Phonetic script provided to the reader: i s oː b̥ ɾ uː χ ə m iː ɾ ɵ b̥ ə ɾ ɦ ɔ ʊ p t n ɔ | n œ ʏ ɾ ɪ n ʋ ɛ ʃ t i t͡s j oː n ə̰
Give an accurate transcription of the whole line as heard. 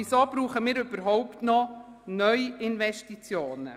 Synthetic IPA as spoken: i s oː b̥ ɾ uː χ ə m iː ɾ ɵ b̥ ə ɾ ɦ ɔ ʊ p t n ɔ | n œ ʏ ɪ n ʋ ɛ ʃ t i t͡s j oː n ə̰